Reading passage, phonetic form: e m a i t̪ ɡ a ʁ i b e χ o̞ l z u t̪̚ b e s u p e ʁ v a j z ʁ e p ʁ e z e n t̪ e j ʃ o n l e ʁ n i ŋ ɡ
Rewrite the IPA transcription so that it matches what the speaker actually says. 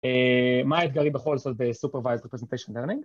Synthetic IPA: e m a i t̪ ɡ a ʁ i b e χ o̞ l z o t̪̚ b e s u p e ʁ v a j z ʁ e p ʁ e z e n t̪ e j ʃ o n l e ʁ n i ŋ ɡ